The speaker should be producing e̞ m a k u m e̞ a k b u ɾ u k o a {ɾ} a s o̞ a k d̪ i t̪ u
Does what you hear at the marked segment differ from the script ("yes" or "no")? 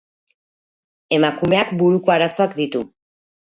no